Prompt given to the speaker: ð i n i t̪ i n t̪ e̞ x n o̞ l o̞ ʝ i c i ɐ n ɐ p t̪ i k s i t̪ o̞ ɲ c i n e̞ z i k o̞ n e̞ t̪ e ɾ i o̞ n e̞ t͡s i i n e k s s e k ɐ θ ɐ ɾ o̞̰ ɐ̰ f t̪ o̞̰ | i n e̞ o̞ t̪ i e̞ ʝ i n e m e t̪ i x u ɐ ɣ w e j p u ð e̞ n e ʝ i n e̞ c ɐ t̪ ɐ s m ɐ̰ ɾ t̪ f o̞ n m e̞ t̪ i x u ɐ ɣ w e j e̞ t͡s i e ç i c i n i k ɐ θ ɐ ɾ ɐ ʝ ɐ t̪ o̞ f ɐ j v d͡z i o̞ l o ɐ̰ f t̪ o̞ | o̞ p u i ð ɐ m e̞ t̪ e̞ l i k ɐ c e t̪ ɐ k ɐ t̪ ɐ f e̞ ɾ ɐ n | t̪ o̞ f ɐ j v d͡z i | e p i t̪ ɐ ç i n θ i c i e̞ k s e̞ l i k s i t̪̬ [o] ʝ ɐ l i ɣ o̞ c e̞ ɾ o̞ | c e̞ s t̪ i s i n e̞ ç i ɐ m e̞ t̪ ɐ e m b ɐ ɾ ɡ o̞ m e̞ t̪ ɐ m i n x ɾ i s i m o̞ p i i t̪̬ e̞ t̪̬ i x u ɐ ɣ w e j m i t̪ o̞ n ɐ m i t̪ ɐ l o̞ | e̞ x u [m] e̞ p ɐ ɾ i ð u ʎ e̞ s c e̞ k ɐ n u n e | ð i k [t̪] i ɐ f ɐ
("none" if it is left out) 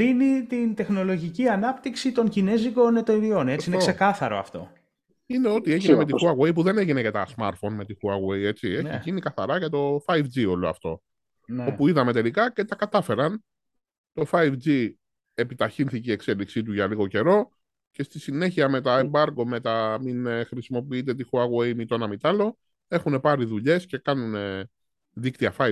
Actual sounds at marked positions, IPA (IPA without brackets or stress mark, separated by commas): u, n, t̪